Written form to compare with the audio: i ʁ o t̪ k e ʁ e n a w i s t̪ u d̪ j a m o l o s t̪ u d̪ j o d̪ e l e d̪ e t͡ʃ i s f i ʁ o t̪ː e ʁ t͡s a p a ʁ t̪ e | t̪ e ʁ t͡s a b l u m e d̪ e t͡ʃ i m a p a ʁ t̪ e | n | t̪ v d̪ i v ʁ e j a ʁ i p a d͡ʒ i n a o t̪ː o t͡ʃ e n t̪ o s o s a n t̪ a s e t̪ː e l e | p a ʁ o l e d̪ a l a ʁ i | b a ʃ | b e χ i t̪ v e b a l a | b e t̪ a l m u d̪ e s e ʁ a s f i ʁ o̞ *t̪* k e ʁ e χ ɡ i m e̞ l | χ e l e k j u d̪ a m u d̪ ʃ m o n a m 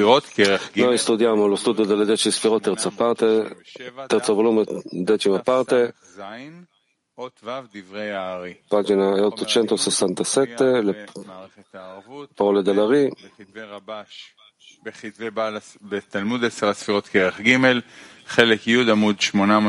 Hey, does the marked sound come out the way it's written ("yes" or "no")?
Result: yes